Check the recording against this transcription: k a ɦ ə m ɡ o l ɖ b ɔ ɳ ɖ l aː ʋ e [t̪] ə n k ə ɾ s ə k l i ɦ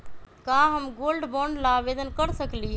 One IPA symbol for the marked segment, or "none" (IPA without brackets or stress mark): d̪